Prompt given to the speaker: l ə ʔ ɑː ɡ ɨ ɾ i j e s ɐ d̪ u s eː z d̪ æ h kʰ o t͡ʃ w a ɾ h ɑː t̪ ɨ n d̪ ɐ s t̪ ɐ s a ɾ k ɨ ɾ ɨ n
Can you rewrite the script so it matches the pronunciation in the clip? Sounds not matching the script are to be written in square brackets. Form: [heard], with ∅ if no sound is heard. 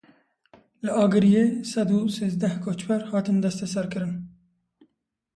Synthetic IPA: l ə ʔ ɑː ɡ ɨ ɾ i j e s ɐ d̪ u s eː z d̪ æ h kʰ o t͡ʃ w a ɾ h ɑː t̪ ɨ n d̪ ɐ s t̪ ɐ s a ɾ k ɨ ɾ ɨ n